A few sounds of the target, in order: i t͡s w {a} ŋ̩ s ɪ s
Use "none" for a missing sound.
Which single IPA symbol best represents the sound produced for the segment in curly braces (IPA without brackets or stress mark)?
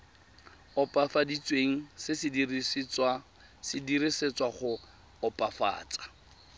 e